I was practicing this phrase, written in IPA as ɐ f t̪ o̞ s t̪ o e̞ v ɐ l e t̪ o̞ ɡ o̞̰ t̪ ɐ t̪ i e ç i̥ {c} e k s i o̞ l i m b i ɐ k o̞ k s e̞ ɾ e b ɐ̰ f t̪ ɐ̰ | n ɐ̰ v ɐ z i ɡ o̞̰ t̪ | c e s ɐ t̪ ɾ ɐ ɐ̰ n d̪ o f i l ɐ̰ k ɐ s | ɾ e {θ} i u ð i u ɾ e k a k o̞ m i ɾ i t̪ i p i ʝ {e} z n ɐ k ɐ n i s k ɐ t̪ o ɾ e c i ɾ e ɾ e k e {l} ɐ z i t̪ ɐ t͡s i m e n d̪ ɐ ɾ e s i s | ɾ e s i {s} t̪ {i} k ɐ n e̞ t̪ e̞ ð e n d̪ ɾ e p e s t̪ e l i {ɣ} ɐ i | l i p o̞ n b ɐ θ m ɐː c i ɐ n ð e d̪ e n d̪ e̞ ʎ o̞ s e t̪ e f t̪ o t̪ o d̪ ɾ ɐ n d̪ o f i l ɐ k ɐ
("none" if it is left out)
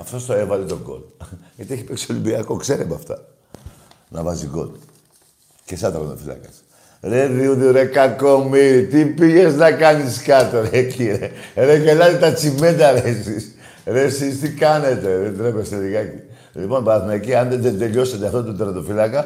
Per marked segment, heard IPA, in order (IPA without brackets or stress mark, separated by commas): p, ð, e, l, s, i, ɣ